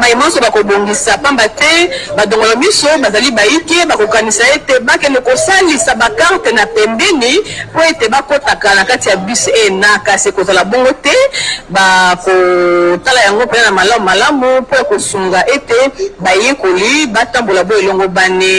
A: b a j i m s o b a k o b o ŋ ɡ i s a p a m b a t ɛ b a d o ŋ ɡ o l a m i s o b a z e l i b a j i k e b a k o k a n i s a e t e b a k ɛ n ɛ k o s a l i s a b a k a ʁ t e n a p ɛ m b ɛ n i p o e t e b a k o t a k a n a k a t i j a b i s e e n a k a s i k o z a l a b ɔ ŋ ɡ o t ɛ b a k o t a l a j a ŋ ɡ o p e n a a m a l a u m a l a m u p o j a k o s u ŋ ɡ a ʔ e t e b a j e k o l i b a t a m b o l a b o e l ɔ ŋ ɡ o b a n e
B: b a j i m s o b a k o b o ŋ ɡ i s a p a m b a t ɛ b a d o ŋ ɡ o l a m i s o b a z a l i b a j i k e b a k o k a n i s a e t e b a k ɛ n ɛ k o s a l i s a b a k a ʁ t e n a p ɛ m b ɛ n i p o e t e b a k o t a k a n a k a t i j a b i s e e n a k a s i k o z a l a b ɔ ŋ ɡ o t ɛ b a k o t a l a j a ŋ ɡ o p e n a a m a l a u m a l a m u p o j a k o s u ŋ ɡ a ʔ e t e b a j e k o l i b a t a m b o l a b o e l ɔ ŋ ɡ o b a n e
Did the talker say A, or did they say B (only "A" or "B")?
B